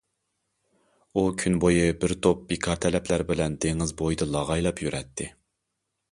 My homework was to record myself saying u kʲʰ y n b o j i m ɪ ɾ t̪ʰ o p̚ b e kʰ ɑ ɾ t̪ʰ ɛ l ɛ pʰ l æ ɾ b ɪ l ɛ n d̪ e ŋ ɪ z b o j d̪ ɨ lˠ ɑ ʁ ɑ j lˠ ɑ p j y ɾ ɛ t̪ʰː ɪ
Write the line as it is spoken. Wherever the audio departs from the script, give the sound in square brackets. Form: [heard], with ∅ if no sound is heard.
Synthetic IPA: u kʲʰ y n b o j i [b] ɪ ɾ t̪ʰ o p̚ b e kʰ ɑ ɾ t̪ʰ ɛ l ɛ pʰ l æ ɾ b ɪ l ɛ n d̪ e ŋ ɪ z b o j d̪ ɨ lˠ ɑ ʁ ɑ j lˠ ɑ p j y ɾ ɛ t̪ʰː ɪ